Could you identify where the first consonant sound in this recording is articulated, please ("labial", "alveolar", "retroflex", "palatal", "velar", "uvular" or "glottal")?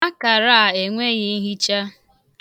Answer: velar